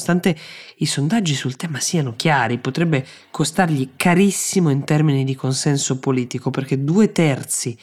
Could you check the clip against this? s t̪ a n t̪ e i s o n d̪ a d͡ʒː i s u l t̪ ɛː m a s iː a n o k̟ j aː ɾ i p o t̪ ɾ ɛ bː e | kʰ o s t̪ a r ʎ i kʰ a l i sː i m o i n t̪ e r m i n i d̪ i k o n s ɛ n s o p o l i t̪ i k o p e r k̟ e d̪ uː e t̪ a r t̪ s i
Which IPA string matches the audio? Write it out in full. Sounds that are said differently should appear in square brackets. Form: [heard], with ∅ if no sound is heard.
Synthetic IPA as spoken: s t̪ a n t̪ e i s o n d̪ a d͡ʒː i s u l t̪ ɛː m a s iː a n o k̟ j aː ɾ i p o t̪ ɾ ɛ bː e | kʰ o s t̪ a r ʎ i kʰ a [ɾ] i sː i m o i n t̪ [ɛ] r m i n i d̪ i k o n s ɛ n s o p o l [iː] t̪ i k o p e r k̟ e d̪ uː e t̪ [ɛ] r t̪ s i